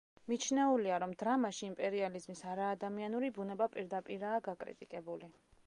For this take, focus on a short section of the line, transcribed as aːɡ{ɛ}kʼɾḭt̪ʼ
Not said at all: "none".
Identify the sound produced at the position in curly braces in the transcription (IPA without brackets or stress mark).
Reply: a